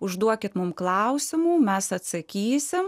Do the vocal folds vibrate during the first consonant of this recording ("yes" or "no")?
yes